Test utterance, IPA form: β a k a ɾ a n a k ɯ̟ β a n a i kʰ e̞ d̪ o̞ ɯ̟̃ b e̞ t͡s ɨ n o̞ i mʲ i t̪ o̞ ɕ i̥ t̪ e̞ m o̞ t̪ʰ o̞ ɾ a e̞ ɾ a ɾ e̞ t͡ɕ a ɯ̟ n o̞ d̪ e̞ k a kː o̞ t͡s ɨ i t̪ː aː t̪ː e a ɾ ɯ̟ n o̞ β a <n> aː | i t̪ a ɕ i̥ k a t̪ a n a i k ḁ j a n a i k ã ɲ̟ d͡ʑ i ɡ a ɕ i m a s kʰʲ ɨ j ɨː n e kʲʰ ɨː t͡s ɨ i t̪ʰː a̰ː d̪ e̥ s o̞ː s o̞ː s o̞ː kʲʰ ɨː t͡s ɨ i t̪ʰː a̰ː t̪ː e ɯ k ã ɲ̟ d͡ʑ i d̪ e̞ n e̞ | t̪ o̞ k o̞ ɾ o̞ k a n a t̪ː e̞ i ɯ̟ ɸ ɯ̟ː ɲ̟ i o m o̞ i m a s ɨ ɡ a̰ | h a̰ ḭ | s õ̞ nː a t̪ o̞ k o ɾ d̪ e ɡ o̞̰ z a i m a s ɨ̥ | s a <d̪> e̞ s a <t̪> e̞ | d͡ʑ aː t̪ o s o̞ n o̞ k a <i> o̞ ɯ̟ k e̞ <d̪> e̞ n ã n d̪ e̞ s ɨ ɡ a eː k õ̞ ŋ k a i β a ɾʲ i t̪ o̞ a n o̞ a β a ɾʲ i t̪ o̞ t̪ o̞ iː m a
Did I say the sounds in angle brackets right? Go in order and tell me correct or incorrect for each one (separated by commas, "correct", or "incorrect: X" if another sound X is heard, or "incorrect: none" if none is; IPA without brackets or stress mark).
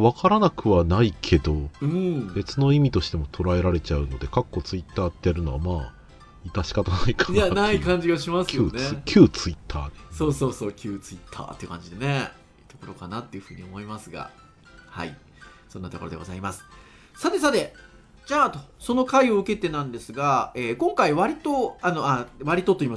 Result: incorrect: m, incorrect: t̪, correct, correct, incorrect: t̪